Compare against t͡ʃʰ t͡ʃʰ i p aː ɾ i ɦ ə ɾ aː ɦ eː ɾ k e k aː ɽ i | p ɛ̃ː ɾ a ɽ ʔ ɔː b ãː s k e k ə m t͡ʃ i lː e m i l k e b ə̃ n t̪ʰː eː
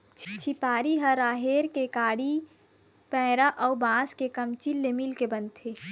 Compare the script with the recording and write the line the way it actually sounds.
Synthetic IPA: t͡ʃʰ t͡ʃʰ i p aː ɾ i ɦ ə ɾ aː ɦ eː ɾ k e k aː ɽ i | p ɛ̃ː ɾ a ʔ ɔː b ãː s k e k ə m t͡ʃ i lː e m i l k e b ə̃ n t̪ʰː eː